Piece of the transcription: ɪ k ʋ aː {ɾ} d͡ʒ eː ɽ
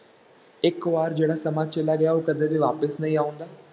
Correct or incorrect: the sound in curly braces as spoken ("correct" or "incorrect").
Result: correct